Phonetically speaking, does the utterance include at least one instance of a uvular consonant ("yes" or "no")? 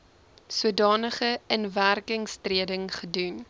yes